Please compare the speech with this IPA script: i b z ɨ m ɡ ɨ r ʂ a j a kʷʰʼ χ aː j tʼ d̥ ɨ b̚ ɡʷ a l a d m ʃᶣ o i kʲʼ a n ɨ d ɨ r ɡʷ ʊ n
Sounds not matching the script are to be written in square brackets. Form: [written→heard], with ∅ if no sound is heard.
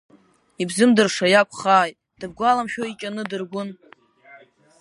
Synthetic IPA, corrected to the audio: i b z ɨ m [ɡ→d] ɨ r ʂ a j a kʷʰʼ χ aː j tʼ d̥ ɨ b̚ ɡʷ a l a [d→∅] m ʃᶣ o i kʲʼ a n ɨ d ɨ r ɡʷ ʊ n